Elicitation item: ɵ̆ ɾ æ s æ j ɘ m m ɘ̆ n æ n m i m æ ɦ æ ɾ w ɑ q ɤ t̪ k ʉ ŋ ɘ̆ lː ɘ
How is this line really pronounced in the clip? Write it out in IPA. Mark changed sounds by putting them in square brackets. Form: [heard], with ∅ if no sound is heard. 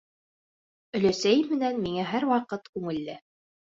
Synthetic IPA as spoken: ɵ̆ [l] æ s æ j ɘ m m ɘ̆ n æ n m i [ŋ] æ ɦ æ ɾ w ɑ q ɤ t̪ k ʉ ŋ ɘ̆ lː ɘ